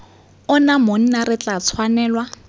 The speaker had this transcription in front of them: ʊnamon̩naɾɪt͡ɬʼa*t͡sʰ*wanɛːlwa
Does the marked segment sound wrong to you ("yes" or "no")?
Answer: no